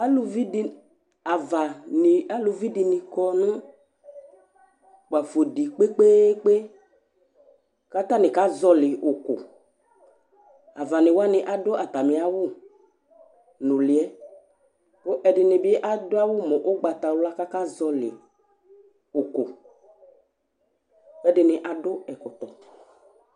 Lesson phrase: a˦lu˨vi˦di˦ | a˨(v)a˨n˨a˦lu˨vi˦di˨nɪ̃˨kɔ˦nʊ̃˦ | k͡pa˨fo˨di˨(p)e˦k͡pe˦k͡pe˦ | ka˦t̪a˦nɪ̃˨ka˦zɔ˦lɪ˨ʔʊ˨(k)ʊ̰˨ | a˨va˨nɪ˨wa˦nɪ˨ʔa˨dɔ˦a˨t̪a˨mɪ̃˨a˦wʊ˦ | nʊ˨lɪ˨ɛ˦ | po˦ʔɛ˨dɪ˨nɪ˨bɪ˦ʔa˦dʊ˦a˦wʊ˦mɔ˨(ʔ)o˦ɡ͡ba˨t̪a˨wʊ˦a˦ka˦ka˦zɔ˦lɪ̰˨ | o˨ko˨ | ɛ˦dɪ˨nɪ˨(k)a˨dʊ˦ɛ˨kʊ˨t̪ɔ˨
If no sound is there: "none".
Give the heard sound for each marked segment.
v, k͡p, k, ʔ, ʔ

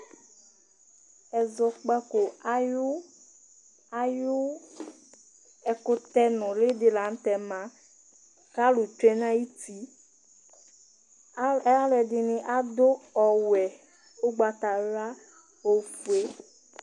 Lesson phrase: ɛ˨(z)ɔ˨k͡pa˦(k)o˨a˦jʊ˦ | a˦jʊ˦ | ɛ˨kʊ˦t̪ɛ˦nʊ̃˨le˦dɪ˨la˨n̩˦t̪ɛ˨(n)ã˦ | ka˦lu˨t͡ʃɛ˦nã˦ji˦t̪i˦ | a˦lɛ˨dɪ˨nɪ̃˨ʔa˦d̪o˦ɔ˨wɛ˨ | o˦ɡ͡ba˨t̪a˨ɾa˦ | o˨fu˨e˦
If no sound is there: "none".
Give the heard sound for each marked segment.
z, k, m

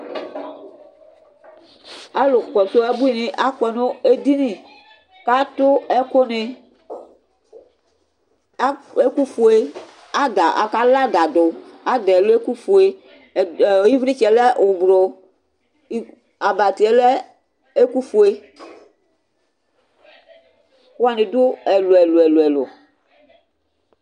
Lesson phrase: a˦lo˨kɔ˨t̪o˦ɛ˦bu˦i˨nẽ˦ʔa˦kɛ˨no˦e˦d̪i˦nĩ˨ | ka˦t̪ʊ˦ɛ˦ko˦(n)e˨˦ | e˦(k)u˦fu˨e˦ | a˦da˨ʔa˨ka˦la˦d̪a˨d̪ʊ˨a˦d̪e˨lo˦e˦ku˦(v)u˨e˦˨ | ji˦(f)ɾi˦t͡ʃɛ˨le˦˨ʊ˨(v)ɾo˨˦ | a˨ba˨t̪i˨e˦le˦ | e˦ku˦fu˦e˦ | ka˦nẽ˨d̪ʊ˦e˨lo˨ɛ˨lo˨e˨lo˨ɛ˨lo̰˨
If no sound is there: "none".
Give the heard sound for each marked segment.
n, k, f, v, b

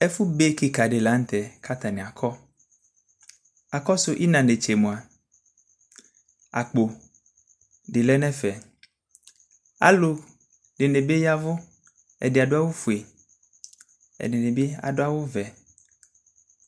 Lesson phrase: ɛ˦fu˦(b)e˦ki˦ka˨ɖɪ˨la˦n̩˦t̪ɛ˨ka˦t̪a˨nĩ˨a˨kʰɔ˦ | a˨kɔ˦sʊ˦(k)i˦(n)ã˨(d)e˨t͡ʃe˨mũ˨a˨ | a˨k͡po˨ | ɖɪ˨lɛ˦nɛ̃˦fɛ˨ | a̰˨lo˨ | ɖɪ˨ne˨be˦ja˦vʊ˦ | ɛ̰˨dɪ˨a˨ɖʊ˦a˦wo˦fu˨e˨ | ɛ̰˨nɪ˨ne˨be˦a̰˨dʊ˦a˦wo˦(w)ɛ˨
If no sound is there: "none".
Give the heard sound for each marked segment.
b, ʔ, n, n, v

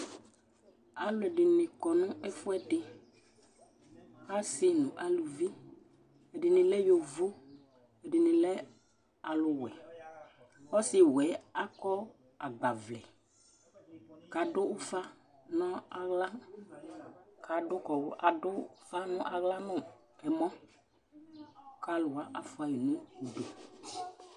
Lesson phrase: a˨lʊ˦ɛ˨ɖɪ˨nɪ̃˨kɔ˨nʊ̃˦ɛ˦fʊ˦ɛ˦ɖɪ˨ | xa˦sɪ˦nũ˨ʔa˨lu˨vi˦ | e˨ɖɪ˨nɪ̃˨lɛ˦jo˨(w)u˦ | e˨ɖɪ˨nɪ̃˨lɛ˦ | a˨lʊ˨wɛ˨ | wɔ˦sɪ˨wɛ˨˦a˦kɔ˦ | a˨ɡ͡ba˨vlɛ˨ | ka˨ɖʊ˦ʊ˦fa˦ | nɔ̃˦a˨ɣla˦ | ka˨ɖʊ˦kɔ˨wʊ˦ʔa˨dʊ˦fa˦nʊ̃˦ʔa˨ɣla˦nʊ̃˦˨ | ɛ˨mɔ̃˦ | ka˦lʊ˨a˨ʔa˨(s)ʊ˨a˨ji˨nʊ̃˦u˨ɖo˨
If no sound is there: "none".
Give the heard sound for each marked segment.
v, f

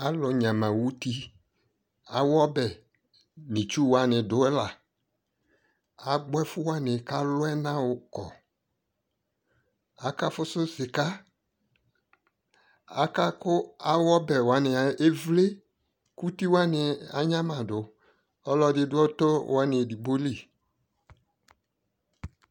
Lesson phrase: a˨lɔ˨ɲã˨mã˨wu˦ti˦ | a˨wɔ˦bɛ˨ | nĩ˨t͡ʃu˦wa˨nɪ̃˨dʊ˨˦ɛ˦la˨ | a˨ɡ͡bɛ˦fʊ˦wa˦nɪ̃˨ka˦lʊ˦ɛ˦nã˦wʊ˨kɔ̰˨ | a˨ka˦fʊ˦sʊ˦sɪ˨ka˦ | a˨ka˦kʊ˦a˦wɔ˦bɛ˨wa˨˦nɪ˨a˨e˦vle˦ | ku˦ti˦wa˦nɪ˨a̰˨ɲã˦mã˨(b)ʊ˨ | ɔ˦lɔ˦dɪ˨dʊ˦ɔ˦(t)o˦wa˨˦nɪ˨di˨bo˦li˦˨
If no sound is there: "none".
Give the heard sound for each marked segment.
d, t

